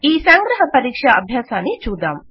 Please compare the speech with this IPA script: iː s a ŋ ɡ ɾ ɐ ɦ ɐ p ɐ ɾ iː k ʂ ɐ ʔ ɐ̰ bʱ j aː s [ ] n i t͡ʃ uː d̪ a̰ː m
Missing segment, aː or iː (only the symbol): aː